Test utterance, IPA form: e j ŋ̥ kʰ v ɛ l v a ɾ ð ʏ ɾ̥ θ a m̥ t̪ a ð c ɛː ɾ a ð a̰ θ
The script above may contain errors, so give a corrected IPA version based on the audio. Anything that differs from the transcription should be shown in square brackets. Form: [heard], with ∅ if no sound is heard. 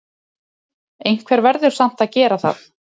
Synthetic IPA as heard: e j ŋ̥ kʰ v ɛ [ɾ] v [ɛ] ɾ ð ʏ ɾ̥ [s] a m̥ t̪ a ð c ɛː ɾ a [θ] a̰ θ